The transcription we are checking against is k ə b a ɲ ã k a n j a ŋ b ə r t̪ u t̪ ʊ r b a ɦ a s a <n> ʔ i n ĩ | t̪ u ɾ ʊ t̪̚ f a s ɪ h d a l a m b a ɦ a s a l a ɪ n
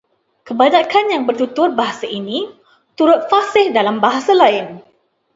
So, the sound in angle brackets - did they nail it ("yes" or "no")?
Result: no